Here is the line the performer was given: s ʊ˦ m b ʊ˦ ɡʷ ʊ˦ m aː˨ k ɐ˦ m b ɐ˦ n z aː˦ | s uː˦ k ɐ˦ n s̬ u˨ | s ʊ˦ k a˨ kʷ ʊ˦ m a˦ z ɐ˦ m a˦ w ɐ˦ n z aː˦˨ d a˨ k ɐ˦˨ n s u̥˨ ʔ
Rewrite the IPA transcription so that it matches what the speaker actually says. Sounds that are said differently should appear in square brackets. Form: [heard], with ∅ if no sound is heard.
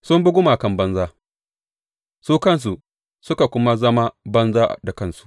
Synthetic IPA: s ʊ˦ m b ʊ˦ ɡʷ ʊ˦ m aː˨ k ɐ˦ m b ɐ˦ n z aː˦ | s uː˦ k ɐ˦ n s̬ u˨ | s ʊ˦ k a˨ kʷ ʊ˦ m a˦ z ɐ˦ m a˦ [b] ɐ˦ n z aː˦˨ d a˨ k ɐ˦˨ n s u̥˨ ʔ